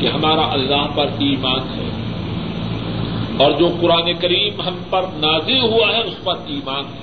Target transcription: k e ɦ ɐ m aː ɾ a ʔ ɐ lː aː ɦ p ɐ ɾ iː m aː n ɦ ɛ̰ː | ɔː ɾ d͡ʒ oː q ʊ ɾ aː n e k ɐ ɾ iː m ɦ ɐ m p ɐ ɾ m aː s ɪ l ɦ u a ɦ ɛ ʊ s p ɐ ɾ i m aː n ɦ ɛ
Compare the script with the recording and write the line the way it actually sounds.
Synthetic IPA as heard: k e ɦ ɐ m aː ɾ a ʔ ɐ lː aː ɦ p ɐ ɾ iː m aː n ɦ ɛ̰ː | ɔː ɾ d͡ʒ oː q ʊ ɾ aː n e k ɐ ɾ iː m ɦ ɐ m p ɐ ɾ n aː z ɪ l ɦ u a ɦ ɛ ʊ s p ɐ ɾ iː m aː n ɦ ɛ